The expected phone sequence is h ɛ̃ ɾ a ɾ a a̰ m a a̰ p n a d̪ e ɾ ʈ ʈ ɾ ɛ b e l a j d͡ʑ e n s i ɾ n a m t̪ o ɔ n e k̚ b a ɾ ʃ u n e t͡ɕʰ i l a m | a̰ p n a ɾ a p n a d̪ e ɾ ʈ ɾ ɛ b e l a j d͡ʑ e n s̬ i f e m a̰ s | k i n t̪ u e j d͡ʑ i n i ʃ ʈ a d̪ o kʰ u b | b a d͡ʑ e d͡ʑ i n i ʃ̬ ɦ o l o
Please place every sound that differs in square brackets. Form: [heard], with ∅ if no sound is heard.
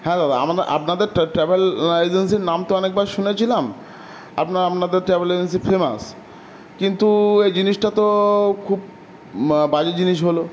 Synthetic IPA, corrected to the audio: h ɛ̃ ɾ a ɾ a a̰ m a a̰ p n a d̪ e ɾ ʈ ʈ ɾ ɛ b e l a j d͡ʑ e n s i ɾ n a m t̪ o ɔ n e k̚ b a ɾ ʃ u n e t͡ɕʰ i l a m | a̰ p n a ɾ a p n a d̪ e ɾ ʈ ɾ ɛ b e l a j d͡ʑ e n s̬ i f e m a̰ s | k i n t̪ u e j d͡ʑ i n i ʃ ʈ a [t̪] o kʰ u b | b a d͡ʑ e d͡ʑ i n i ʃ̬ ɦ o l o